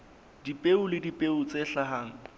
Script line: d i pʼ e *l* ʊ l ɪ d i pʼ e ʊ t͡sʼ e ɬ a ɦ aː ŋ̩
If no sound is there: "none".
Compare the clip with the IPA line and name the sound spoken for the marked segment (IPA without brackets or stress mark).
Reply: none